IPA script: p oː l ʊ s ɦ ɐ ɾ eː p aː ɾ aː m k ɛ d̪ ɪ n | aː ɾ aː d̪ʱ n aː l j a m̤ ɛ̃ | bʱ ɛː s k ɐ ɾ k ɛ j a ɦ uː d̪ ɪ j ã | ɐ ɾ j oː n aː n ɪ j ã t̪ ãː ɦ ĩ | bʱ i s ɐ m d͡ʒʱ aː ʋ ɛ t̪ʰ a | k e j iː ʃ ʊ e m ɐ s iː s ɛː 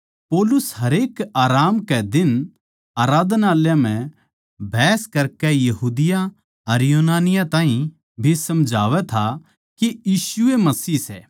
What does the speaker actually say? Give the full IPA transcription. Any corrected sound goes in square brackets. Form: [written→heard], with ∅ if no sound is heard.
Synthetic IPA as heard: p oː l ʊ s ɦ ɐ ɾ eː [p→k] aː ɾ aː m k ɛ d̪ ɪ n | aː ɾ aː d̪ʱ n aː l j a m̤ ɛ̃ | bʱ ɛː s k ɐ ɾ k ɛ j [a→ɐ] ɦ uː d̪ ɪ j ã | ɐ ɾ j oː n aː n ɪ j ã t̪ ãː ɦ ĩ | bʱ i s ɐ m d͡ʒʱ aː ʋ ɛ t̪ʰ a | k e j iː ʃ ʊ e m ɐ s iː s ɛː